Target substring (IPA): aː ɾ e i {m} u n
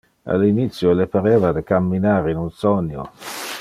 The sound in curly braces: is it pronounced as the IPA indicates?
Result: no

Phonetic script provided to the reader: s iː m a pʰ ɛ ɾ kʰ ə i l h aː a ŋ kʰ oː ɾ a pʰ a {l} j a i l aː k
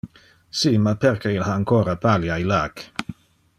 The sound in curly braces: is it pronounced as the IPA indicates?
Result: yes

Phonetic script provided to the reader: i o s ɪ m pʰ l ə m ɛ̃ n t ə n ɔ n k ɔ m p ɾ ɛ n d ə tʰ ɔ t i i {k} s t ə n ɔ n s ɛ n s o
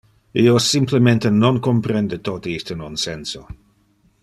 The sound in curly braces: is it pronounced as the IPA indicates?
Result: no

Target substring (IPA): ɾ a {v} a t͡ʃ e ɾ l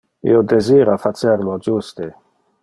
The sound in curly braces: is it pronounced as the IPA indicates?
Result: no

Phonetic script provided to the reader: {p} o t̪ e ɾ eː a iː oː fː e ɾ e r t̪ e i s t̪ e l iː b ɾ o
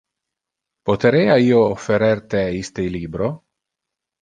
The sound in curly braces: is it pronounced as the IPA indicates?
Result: yes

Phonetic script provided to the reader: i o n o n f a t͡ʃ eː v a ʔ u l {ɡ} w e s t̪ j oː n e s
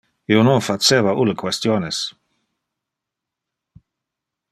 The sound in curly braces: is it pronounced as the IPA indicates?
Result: no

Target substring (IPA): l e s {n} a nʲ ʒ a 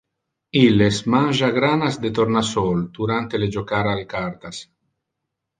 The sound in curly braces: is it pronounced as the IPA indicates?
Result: no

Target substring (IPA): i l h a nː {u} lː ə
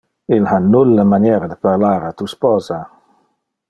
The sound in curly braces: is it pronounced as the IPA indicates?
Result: yes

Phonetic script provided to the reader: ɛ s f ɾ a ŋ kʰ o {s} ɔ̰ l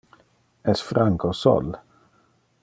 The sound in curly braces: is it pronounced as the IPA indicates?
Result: yes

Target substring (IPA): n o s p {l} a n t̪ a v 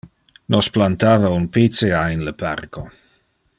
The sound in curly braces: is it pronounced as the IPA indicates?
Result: yes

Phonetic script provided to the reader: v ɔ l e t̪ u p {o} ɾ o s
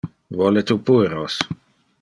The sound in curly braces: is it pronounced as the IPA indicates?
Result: no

